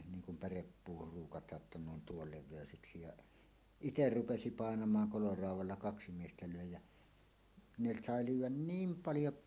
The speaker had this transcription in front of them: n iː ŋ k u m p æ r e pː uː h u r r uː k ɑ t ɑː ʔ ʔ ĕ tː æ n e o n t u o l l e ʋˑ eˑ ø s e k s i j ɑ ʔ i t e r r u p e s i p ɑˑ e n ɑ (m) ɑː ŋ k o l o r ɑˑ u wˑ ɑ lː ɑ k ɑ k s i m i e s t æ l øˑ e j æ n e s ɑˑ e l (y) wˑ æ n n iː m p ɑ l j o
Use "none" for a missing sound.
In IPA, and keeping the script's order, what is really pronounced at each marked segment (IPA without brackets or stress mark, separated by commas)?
m, yː